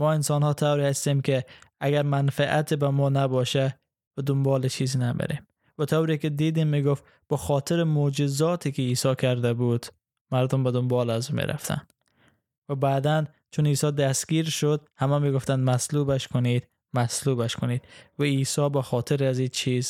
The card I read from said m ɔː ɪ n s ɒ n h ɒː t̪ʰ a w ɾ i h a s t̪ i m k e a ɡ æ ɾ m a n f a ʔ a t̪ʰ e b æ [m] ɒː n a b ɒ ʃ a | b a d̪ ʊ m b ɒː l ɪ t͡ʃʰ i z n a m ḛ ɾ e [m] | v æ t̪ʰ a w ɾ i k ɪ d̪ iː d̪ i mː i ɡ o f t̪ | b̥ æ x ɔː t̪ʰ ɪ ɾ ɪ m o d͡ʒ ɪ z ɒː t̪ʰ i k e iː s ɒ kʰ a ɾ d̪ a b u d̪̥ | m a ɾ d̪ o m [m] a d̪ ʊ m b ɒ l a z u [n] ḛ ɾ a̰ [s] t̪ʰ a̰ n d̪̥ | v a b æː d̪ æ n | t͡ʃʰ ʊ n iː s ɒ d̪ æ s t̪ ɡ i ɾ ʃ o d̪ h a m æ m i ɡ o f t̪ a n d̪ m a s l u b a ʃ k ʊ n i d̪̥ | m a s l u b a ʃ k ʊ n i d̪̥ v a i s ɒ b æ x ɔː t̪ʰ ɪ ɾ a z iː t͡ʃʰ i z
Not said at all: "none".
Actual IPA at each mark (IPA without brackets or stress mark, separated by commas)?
m, m, b, m, f